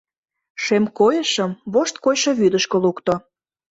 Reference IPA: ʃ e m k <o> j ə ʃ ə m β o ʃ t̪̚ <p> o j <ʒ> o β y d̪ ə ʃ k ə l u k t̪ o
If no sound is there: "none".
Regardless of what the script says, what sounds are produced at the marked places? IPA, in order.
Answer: o, k, ʃ

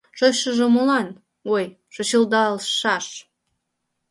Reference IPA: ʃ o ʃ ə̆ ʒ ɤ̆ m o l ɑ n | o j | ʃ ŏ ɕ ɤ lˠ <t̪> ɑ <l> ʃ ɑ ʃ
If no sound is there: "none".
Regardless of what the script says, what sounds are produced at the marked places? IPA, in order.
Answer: d̪, l

